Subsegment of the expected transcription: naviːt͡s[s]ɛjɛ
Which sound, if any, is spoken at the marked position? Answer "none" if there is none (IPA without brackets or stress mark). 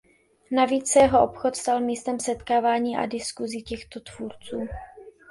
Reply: s